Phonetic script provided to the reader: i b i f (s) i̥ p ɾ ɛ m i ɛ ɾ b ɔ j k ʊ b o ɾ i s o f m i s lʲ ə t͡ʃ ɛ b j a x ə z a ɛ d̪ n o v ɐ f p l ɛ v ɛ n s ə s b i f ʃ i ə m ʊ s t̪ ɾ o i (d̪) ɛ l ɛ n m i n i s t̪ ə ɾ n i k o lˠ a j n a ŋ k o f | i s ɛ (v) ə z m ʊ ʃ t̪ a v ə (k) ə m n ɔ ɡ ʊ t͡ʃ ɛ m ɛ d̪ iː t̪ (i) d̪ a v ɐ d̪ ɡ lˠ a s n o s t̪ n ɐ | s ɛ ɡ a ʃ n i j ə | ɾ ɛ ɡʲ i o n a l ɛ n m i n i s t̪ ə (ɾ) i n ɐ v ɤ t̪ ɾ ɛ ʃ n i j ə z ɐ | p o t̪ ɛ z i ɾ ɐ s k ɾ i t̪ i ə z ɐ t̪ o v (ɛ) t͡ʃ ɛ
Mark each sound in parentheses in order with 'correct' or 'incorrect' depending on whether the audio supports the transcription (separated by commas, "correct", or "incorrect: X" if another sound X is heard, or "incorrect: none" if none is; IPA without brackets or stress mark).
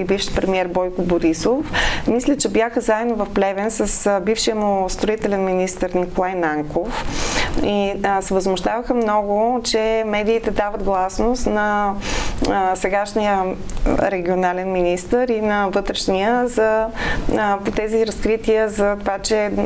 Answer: incorrect: ʃ, incorrect: t̪, correct, incorrect: x, incorrect: ɛ, correct, incorrect: a